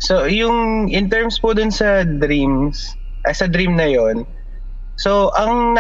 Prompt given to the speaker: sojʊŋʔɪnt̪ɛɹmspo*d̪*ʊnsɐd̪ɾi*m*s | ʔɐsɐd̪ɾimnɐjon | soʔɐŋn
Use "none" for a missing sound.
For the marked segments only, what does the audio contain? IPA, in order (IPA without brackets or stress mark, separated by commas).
d̪, m